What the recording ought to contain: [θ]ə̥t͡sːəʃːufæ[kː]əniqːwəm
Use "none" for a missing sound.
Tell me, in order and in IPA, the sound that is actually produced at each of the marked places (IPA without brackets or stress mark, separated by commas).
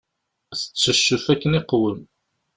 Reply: θ, kː